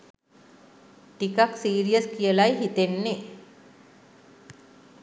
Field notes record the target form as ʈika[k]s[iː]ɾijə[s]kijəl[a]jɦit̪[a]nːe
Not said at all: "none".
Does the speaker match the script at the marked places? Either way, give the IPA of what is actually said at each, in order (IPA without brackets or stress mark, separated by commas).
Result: k, iː, s, a, e